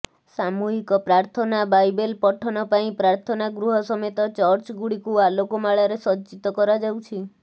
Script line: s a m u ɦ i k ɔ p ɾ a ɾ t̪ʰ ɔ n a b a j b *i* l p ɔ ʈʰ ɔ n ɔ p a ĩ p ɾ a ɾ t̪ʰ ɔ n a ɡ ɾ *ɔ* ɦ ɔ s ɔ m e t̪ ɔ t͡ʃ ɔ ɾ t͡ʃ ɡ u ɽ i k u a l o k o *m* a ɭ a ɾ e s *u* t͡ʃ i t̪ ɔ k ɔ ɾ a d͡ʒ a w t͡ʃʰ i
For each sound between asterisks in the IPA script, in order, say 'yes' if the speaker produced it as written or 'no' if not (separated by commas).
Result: no, no, yes, no